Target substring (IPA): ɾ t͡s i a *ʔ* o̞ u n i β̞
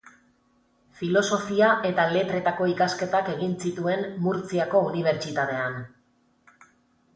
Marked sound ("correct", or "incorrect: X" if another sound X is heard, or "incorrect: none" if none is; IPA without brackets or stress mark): incorrect: k